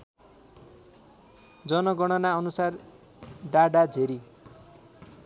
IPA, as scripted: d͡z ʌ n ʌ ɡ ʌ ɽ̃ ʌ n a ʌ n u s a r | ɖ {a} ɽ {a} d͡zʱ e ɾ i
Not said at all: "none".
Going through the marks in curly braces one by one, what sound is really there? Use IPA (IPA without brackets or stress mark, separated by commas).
a, a